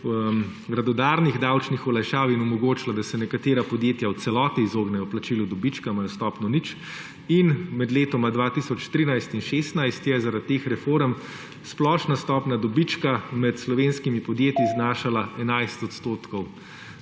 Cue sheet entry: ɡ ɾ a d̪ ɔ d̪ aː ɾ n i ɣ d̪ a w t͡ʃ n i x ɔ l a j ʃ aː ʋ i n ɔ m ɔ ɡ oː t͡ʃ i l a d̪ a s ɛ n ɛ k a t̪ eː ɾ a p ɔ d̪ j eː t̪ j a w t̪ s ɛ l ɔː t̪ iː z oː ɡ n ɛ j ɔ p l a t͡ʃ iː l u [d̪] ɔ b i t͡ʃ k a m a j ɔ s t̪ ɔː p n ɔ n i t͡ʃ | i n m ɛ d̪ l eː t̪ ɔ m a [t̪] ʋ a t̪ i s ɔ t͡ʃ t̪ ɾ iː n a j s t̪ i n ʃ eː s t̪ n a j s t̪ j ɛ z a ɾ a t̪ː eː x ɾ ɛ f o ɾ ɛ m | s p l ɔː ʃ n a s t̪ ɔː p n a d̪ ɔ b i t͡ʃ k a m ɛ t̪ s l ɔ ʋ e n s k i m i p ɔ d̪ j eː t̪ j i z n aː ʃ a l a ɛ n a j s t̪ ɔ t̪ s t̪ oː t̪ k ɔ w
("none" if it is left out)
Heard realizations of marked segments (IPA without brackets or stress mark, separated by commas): d̪, d̪